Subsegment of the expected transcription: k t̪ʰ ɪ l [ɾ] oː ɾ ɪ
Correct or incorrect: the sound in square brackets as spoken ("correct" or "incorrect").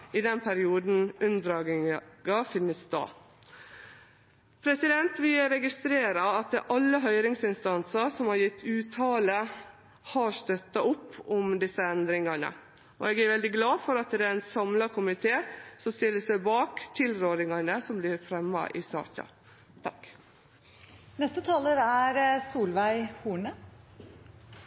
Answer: correct